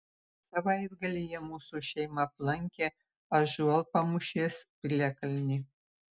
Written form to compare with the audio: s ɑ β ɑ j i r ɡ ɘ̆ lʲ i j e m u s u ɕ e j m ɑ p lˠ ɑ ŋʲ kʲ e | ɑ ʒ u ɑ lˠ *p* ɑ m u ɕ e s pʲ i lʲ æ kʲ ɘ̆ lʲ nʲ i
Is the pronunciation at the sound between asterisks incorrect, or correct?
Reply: correct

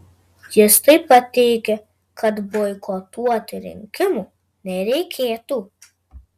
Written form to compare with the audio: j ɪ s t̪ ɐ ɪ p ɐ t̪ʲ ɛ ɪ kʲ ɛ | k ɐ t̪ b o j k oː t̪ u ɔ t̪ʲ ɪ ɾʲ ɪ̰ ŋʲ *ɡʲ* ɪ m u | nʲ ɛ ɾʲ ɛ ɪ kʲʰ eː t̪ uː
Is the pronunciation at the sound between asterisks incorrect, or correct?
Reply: incorrect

